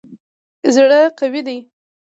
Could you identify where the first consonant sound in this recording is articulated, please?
alveolar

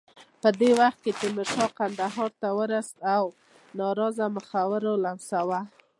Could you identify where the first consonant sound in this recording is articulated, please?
labial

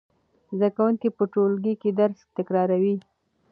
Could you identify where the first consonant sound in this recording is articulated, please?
alveolar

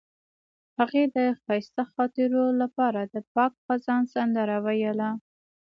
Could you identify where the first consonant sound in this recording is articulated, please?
glottal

